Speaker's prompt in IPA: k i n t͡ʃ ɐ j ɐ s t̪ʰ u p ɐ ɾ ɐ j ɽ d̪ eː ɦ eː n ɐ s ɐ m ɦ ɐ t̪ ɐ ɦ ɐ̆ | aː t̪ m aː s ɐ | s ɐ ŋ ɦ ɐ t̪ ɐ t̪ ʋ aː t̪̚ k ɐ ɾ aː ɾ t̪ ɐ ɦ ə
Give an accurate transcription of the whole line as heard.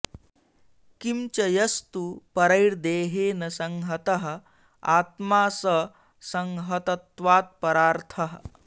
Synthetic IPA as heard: k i m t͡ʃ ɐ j ɐ s t̪ u p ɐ ɾ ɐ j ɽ d̪ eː ɦ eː n ɐ s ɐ ŋ ɦ ɐ t̪ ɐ ɦ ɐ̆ | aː t̪ m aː s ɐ | s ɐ ŋ ɦ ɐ t̪ ɐ t̪ ʋ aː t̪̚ p ɐ ɾ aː ɾ t̪ʰ ɐ ɦ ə